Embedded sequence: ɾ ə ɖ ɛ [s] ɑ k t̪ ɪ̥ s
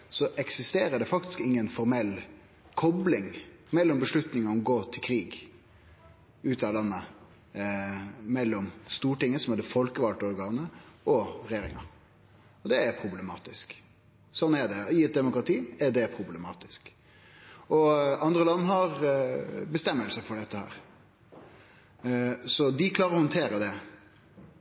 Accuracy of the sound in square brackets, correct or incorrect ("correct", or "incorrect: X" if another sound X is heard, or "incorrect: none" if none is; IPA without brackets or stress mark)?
incorrect: f